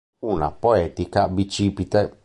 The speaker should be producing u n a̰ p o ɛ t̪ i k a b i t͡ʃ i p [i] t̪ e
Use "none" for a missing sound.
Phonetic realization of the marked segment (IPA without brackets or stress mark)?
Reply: i